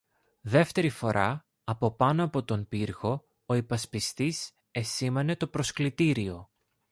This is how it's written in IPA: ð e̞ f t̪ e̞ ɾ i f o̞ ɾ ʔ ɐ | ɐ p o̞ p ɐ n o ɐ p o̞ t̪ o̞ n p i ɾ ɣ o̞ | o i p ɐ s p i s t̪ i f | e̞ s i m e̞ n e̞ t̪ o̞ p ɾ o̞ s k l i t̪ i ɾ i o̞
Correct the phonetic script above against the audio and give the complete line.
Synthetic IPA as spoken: ð e̞ f t̪ e̞ ɾ i f o̞ ɾ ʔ ɐ | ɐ p o̞ p ɐ n o ɐ p o̞ t̪ o̞ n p i ɾ ɣ o̞ | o i p ɐ s p i s t̪ i s | e̞ s i m e̞ n e̞ t̪ o̞ p ɾ o̞ s k l i t̪ i ɾ i o̞